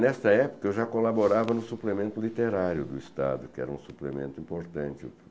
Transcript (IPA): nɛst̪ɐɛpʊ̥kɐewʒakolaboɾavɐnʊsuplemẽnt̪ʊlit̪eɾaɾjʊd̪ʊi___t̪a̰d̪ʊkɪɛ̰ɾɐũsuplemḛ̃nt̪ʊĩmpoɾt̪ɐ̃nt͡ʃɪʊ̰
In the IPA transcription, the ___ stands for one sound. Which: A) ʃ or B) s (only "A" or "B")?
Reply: B